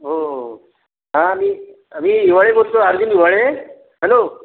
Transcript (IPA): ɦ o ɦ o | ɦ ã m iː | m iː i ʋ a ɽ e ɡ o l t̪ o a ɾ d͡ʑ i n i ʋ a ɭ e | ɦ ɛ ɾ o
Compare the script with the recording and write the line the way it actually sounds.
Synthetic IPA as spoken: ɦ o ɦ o | ɦ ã m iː | m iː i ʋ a ɭ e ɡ o l t̪ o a ɾ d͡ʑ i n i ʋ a ɭ e | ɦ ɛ l o